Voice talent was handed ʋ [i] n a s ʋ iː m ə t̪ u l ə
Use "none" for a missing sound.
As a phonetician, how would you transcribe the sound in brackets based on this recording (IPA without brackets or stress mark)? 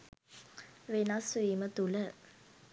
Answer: e